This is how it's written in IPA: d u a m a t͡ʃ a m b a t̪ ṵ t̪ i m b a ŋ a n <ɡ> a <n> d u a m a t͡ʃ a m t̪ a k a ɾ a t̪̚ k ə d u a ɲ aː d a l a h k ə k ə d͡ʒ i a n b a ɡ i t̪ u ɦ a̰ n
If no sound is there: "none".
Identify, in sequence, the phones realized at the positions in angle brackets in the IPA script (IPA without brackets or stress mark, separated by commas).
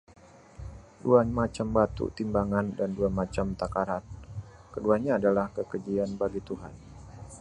d, n